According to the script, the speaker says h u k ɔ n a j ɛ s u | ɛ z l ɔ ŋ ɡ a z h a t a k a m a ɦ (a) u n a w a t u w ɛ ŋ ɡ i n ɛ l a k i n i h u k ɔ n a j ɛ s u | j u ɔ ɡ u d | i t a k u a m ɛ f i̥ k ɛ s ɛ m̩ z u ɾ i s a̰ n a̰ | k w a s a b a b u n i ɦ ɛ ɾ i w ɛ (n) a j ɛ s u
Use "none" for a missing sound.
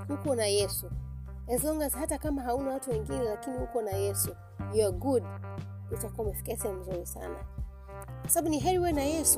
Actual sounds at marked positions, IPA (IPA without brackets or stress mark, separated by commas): a, n